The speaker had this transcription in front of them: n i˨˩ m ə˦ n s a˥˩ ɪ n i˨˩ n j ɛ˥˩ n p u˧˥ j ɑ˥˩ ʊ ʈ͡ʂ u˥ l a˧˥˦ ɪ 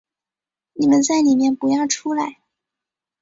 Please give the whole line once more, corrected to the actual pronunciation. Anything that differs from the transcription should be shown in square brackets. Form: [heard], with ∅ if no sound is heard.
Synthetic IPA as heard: n i˨˩ m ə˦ n [t͡s] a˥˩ ɪ n i˨˩ [m] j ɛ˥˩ n p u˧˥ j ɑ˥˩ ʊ [ʈ͡ʂʰ] u˥ l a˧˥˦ ɪ